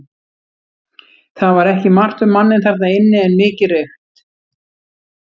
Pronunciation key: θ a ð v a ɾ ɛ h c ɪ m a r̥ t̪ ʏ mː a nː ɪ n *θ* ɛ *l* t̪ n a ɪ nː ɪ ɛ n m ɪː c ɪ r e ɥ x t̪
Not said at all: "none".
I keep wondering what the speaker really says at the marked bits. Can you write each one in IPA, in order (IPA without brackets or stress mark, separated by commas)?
θ, ɾ